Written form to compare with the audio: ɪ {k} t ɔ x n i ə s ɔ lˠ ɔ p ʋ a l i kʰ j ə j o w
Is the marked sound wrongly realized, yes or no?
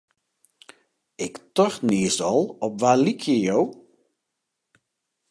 no